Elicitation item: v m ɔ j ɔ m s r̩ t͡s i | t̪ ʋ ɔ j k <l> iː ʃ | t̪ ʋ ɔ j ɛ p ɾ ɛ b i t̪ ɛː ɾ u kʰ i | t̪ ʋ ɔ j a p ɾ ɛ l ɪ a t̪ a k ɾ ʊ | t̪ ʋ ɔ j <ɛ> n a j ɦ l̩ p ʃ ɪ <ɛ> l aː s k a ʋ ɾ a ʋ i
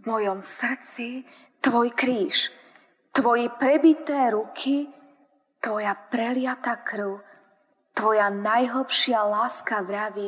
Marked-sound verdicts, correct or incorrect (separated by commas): incorrect, incorrect, incorrect